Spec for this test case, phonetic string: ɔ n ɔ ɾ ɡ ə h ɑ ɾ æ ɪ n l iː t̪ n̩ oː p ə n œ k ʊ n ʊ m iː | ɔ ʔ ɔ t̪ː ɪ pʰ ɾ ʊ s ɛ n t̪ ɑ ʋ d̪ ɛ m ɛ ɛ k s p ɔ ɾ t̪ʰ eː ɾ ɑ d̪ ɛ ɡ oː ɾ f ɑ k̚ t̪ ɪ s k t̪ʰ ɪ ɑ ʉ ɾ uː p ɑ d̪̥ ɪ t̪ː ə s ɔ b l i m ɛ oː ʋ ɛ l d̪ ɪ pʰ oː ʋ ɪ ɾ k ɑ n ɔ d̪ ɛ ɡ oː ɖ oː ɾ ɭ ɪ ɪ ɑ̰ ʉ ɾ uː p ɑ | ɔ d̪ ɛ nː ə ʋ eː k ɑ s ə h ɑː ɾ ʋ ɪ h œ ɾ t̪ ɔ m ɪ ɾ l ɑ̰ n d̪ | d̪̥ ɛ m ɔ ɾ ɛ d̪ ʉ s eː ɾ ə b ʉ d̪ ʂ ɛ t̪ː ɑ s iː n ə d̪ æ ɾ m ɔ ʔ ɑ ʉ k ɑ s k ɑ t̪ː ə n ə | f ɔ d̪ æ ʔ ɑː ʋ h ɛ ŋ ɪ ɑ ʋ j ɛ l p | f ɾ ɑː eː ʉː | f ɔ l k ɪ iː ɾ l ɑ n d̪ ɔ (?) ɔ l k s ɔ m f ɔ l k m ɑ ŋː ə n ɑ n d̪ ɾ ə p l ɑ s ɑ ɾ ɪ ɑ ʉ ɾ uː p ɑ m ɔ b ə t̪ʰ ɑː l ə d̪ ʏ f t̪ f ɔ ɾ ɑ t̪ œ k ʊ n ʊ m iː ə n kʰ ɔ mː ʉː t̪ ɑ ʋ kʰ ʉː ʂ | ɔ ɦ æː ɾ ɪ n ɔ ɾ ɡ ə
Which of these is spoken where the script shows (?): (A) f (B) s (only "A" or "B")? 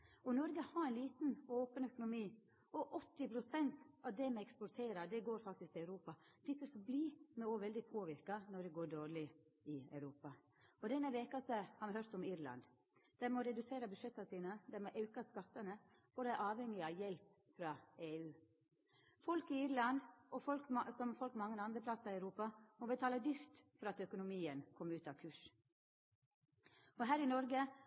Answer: A